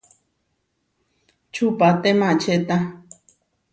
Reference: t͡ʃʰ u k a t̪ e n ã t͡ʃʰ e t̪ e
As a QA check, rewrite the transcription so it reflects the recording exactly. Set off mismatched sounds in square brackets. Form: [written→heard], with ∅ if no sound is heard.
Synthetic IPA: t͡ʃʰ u [k→p] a t̪ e [n→m] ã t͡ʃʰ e t̪ [e→a]